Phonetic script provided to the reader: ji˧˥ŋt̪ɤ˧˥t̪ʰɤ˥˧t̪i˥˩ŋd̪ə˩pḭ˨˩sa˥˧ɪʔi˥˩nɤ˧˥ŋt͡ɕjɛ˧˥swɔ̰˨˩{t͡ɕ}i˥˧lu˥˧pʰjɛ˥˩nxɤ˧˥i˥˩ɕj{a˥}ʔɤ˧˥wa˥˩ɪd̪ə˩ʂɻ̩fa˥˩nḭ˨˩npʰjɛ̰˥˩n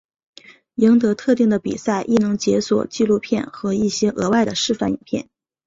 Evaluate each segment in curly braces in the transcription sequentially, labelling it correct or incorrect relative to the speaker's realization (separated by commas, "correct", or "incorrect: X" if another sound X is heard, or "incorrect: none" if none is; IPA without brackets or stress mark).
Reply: correct, incorrect: ɛ˥